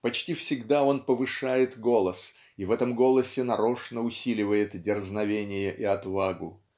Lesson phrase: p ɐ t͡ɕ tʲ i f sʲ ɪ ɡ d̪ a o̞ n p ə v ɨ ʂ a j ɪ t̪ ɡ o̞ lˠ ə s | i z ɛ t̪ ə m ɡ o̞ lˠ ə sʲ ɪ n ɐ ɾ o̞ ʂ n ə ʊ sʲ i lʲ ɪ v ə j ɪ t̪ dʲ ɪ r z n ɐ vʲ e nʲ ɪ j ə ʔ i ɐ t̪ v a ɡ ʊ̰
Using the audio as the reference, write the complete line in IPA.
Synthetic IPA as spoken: p ɐ t͡ɕ tʲ i f sʲ ɪ ɡ d̪ a o̞ n p ə v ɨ ʂ a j ɪ t̪ ɡ o̞ lˠ ə s | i v ɛ t̪ ə m ɡ o̞ lˠ ə sʲ ɪ n ɐ ɾ o̞ ʂ n ə ʊ sʲ i lʲ ɪ v ə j ɪ t̪ dʲ ɪ r z n ɐ vʲ e nʲ ɪ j ə ʔ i ɐ t̪ v a ɡ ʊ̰